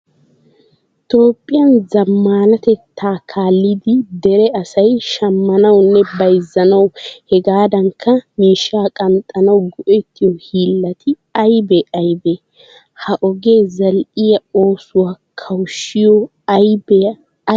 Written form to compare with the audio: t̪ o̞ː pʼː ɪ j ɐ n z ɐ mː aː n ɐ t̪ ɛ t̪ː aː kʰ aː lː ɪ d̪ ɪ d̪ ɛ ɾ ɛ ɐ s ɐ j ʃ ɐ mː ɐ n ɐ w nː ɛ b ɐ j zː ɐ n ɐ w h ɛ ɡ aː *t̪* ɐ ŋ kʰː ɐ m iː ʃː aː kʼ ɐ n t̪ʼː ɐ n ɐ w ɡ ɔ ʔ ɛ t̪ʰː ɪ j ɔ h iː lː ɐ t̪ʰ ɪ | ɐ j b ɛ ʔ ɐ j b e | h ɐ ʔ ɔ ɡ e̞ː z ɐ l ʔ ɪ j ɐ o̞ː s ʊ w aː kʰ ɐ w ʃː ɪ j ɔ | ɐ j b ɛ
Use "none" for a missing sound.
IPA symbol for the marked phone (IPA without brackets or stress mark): d̪